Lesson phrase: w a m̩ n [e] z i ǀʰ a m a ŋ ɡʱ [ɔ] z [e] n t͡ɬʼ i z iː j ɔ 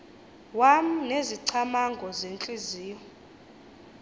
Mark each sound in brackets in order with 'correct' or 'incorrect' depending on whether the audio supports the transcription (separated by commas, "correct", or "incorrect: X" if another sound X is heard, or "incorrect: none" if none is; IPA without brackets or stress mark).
correct, correct, correct